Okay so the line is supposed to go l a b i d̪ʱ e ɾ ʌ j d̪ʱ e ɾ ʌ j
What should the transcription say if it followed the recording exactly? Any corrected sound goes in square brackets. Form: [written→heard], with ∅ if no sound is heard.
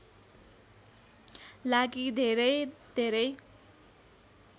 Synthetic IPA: l a [b→ɡ] i d̪ʱ e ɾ ʌ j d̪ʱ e ɾ ʌ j